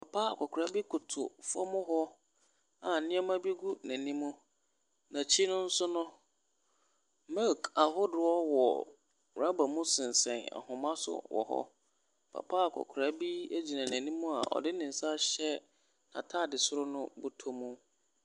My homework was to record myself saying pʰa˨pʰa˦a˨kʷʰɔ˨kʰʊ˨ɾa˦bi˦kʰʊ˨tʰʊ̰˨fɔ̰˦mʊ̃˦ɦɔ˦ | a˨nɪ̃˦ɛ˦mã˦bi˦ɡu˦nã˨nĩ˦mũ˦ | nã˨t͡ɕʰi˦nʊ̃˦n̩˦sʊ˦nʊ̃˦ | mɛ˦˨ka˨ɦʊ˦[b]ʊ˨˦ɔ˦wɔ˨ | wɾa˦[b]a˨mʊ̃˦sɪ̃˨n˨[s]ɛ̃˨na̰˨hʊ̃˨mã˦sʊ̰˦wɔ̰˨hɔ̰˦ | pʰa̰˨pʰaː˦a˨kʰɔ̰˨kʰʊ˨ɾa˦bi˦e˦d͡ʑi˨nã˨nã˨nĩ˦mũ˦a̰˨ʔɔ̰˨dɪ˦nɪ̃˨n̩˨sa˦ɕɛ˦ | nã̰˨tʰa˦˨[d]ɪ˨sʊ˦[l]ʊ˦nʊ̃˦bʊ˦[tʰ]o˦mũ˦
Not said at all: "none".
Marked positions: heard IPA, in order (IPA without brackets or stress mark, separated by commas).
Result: d, b, s, d, ɾ, tʰ